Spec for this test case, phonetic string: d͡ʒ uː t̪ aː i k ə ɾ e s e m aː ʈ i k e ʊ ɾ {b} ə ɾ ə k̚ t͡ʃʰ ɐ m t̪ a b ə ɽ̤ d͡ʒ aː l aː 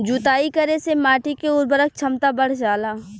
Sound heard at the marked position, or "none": b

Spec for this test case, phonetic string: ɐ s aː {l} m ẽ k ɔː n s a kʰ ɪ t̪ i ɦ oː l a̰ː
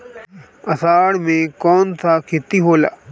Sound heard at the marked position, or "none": ɽ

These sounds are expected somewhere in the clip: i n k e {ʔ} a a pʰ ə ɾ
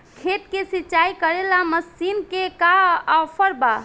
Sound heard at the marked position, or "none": k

